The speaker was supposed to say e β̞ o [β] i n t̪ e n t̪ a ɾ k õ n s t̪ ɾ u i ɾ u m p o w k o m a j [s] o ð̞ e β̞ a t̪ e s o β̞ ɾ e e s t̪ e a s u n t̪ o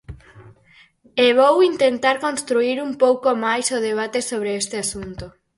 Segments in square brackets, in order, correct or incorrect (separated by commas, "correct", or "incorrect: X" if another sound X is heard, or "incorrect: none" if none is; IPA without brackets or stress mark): incorrect: w, correct